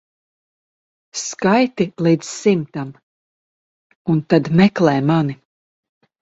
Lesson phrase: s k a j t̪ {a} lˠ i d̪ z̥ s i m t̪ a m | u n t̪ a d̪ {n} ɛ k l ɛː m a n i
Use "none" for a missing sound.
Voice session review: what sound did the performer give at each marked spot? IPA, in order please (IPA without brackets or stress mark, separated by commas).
i, m